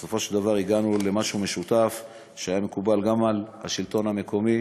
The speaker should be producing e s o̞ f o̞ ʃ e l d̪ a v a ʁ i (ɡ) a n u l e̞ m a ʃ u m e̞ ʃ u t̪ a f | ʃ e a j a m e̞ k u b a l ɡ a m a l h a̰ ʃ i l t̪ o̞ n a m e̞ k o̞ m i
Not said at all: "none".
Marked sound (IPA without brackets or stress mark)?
ɡ